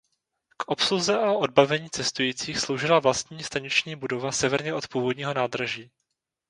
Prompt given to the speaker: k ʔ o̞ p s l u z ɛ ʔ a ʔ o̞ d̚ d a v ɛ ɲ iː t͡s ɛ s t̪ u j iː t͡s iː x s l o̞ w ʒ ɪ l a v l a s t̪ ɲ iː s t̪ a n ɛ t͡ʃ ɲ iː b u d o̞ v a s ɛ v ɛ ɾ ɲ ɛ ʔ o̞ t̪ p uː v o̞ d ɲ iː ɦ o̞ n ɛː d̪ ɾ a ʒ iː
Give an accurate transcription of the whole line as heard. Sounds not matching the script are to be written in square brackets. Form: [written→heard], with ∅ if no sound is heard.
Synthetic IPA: k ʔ o̞ p s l u z ɛ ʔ a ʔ o̞ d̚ [d→b] a v ɛ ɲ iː t͡s ɛ s t̪ u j iː t͡s iː x s l o̞ w ʒ ɪ l a v l a s t̪ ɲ iː s t̪ a [n→ɲ] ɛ t͡ʃ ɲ iː b u d o̞ v a s ɛ v ɛ ɾ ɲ ɛ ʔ o̞ t̪ p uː v o̞ d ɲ iː ɦ o̞ n [ɛː→aː] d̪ ɾ a ʒ iː